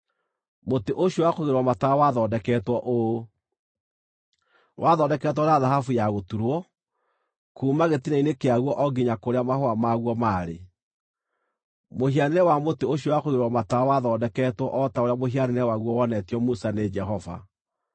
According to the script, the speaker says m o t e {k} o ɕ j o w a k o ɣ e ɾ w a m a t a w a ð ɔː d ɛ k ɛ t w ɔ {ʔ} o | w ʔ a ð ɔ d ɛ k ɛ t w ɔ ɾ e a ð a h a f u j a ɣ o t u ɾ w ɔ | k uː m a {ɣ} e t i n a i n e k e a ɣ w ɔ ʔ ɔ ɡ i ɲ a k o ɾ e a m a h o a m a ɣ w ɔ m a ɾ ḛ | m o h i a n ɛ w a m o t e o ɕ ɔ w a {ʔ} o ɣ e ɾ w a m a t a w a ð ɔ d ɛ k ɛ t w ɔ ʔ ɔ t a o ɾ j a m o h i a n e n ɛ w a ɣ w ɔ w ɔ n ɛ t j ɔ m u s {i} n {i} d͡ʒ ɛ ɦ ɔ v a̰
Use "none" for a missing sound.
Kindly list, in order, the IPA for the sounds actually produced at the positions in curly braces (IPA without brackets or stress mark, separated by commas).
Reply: ʔ, ʔ, ɣ, k, a, e